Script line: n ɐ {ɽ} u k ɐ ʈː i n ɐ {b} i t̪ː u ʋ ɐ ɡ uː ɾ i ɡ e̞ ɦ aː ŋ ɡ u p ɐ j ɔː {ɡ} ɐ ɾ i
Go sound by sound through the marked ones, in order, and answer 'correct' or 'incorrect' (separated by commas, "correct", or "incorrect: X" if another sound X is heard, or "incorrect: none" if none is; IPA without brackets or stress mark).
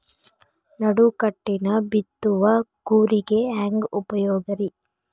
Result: correct, correct, correct